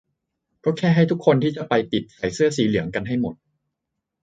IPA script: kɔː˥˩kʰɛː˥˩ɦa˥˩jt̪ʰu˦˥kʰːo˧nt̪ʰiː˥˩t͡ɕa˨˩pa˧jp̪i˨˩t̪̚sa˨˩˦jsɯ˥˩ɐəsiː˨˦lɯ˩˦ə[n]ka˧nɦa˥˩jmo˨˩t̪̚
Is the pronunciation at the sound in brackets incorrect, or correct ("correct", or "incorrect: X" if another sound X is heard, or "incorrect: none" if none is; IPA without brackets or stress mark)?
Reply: incorrect: ŋ